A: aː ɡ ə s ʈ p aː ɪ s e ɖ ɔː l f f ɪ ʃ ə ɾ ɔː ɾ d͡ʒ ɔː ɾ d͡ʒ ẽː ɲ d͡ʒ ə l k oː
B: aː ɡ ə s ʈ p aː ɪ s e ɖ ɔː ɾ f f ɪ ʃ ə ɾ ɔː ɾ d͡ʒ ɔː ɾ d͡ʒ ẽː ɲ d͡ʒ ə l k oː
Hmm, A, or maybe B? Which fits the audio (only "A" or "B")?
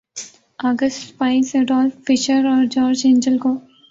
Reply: A